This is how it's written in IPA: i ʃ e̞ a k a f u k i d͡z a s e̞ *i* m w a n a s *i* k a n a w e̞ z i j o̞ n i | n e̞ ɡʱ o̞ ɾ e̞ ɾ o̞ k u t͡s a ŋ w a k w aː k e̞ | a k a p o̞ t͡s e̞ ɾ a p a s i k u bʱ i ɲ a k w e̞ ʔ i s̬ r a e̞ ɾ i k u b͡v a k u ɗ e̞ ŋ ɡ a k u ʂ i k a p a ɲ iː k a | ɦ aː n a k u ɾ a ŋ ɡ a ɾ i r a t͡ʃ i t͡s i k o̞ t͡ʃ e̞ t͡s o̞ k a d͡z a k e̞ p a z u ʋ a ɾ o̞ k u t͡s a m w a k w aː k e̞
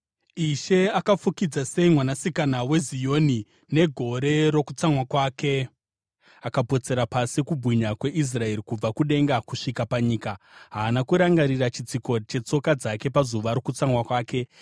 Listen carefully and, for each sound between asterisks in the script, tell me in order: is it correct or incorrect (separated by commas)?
correct, correct